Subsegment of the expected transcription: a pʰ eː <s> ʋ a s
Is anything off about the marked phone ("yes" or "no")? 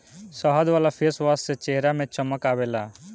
no